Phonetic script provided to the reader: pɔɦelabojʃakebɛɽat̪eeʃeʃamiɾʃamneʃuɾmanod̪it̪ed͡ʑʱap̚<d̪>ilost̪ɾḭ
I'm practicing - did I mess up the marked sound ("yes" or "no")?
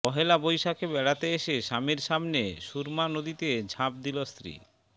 no